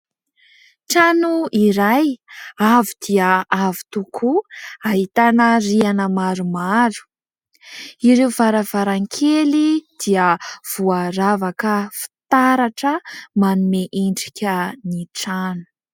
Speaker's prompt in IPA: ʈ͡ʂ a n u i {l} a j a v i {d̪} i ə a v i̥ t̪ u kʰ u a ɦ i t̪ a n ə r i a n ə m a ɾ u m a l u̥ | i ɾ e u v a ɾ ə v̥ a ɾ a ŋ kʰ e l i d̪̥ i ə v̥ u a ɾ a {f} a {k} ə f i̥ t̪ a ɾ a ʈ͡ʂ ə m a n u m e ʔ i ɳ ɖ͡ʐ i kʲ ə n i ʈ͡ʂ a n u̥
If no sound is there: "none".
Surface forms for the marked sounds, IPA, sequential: ɾ, d̪, v, k

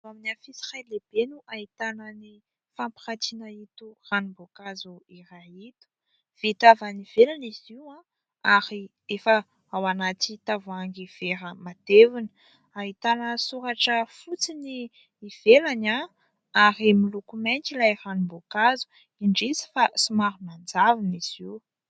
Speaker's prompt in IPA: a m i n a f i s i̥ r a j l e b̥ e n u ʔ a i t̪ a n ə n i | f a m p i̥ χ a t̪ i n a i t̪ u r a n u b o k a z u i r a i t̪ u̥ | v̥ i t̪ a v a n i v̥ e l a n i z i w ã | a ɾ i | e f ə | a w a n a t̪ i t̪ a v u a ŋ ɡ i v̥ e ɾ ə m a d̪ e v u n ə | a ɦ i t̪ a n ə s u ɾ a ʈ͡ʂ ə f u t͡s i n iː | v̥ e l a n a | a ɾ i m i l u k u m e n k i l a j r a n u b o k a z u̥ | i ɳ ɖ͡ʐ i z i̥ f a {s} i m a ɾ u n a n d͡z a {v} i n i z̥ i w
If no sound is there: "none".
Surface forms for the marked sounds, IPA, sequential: s, v

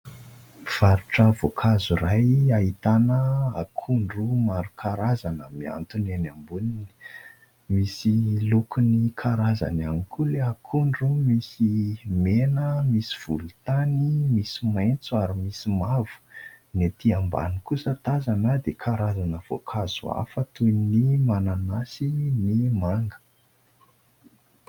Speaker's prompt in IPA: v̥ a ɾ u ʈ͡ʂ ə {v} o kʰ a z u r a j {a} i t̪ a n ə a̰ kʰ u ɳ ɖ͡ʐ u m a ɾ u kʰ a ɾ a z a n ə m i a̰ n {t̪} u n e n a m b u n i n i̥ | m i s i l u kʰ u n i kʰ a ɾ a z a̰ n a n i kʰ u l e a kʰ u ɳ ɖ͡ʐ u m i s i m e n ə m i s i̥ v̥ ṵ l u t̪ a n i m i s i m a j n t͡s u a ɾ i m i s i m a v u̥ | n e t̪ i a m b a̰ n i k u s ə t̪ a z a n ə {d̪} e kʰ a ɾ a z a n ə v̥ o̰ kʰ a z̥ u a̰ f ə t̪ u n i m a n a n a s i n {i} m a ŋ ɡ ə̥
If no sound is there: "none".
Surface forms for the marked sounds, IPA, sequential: v, a, t̪, d̪, i

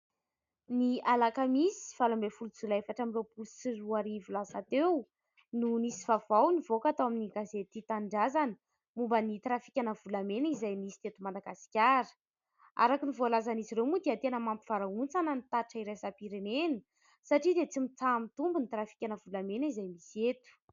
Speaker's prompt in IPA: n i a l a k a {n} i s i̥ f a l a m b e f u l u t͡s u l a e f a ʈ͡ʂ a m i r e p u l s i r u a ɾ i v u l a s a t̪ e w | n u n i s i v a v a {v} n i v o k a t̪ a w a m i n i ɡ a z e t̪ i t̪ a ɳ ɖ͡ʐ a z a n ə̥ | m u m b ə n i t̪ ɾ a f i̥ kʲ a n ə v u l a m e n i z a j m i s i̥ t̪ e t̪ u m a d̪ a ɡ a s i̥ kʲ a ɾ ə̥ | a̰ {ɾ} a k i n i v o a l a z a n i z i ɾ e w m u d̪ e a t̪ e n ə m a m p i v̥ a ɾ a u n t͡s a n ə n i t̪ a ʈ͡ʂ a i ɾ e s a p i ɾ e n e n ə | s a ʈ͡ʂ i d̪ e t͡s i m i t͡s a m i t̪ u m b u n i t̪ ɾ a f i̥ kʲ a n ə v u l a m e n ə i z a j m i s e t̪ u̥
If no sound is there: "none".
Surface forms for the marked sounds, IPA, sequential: m, w, ɾ

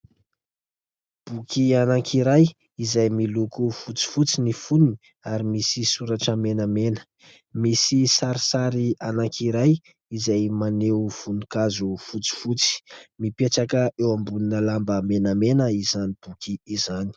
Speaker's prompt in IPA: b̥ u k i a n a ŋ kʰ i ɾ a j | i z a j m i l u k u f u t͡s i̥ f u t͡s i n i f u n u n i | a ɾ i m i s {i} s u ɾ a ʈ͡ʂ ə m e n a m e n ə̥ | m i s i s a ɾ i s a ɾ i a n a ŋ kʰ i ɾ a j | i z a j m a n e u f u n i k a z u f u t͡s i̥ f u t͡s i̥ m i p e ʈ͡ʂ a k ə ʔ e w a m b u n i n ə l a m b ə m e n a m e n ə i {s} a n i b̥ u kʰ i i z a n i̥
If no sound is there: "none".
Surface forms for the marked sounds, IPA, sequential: i, z

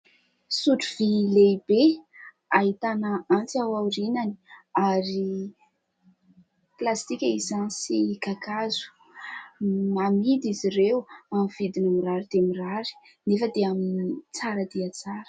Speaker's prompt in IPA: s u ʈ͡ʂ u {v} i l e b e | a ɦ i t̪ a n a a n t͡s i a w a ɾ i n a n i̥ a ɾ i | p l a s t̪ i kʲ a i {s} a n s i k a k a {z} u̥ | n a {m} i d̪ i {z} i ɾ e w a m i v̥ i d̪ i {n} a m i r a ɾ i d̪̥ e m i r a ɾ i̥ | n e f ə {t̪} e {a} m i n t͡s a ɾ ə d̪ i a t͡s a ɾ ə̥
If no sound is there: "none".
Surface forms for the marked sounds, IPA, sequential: v, z, z, m, z, n, d̪, a

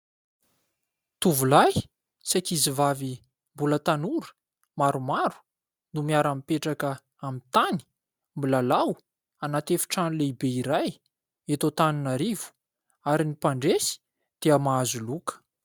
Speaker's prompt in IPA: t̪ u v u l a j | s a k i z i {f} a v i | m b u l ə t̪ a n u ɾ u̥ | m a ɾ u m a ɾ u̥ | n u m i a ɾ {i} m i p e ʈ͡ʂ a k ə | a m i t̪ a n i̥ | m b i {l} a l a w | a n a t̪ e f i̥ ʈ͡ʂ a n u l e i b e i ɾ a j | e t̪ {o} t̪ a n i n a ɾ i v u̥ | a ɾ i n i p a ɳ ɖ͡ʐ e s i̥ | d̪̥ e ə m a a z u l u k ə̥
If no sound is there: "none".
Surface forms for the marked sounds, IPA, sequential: v, a, l, o

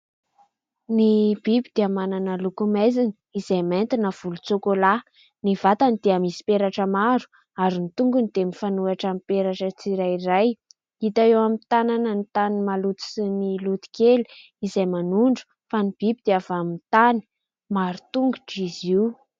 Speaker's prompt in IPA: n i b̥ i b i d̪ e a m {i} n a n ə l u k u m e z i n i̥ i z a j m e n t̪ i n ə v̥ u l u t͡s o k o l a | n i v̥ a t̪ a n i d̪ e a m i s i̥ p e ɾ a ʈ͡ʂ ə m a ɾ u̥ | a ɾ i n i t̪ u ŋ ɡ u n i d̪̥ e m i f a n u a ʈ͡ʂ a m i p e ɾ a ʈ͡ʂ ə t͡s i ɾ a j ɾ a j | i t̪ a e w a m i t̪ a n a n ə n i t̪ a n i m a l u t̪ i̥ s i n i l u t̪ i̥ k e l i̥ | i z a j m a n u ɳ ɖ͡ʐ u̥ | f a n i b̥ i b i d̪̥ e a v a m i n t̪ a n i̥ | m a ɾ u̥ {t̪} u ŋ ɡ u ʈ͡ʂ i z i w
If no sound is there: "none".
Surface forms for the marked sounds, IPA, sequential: a, t̪

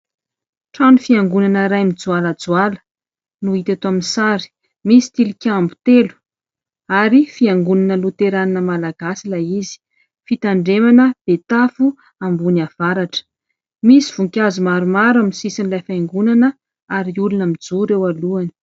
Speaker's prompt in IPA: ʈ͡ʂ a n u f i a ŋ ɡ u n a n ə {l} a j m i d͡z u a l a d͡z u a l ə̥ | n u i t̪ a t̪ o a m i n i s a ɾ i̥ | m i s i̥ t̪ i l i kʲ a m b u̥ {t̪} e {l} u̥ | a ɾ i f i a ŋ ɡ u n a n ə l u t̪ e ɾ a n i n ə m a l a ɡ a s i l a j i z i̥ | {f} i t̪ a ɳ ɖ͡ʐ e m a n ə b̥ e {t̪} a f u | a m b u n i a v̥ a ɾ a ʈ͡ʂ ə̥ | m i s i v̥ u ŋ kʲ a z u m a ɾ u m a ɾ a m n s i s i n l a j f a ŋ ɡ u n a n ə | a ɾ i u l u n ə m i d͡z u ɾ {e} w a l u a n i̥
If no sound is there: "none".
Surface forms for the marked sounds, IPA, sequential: ɾ, t̪, l, f, t̪, e

